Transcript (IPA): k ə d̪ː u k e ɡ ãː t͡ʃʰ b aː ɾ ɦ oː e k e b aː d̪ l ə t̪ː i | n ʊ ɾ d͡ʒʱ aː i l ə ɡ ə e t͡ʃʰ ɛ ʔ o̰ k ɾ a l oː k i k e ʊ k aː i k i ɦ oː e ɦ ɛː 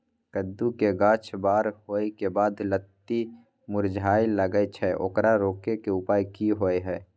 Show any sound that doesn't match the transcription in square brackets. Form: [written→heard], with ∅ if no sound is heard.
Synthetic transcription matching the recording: k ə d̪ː u k e ɡ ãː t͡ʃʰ b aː ɾ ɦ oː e k e b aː d̪ l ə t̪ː i | [n→m] ʊ ɾ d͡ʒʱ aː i l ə ɡ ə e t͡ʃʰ ɛ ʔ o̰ k ɾ a [l→ɾ] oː k [i→e] k e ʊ [k→p] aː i k i ɦ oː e ɦ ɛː